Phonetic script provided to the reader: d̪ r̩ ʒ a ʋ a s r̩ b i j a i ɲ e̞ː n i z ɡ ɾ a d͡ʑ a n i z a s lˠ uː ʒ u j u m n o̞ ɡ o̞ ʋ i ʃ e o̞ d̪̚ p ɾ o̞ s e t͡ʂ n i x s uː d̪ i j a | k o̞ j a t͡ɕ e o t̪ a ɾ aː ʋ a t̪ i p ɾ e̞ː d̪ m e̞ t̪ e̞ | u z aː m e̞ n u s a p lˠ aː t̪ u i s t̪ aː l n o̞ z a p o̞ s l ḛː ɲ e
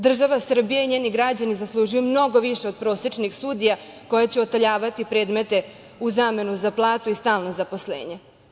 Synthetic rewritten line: d̪ r̩ ʒ a ʋ a s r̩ b i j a i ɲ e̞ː n i ɡ ɾ a d͡ʑ a n i z a s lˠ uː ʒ u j u m n o̞ ɡ o̞ ʋ i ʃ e o̞ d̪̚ p ɾ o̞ s e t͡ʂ n i x s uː d̪ i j a | k o̞ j a t͡ɕ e o t̪ a ʎ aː ʋ a t̪ i p ɾ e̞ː d̪ m e̞ t̪ e̞ | u z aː m e̞ n u z a p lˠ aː t̪ u i s t̪ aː l n o̞ z a p o̞ s l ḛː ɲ e